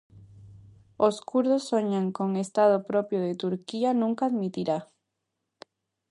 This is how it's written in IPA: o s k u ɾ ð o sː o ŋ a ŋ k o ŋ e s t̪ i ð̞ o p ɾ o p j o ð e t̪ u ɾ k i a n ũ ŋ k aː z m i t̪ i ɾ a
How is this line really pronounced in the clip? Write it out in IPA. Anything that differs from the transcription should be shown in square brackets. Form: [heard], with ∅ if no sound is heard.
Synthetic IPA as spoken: o s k u ɾ ð o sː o [ɲ] a ŋ k o ŋ e s t̪ [a] ð̞ o p ɾ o p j o ð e t̪ u ɾ k i a n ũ ŋ k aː [ð] m i t̪ i ɾ a